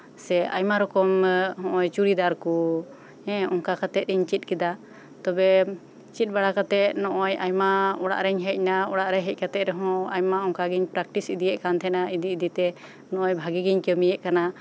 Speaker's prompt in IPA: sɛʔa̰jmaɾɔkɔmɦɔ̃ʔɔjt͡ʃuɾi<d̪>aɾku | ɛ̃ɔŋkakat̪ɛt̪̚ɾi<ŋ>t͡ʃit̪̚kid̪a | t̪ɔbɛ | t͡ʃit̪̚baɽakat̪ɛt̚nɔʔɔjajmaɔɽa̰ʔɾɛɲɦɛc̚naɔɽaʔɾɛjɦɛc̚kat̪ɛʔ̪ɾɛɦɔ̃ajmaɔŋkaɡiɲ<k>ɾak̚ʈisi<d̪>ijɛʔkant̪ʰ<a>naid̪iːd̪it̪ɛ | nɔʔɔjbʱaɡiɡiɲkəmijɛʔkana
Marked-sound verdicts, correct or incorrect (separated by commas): correct, incorrect, incorrect, correct, incorrect